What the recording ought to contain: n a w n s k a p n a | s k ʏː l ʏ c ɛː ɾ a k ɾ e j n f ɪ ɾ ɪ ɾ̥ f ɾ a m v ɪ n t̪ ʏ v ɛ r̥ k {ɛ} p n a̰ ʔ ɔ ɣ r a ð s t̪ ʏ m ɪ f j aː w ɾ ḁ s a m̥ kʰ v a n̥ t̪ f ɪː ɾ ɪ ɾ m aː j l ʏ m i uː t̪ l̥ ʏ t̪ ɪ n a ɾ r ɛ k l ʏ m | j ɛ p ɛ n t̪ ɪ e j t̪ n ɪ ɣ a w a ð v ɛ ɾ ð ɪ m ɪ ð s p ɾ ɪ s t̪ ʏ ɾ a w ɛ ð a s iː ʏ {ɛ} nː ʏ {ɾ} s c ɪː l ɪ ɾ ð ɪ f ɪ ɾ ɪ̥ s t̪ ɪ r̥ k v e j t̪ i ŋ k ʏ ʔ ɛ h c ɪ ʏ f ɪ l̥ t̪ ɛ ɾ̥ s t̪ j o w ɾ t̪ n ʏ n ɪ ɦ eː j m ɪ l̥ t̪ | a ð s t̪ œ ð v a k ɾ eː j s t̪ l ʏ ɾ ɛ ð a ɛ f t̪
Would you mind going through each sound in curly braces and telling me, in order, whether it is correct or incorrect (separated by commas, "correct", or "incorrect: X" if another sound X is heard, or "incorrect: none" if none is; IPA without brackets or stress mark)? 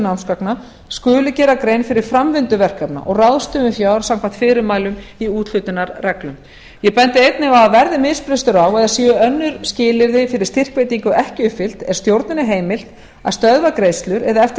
incorrect: a, incorrect: œ, correct